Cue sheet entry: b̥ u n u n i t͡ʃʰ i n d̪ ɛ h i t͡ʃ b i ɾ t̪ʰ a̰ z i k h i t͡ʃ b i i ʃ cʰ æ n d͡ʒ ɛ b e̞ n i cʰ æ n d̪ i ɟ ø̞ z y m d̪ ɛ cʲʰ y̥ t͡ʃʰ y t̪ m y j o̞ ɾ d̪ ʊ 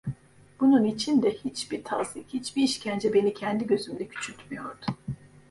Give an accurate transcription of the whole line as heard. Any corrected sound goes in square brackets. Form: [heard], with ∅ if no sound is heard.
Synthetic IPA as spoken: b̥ u n u n i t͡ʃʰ i n d̪ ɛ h i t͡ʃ b i ɾ t̪ʰ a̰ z i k h i t͡ʃ b i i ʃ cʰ æ n d͡ʒ ɛ b e̞ n i cʰ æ n d̪ i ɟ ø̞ z y m d̪ ɛ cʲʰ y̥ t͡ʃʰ y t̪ m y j o̞ ɾ d̪ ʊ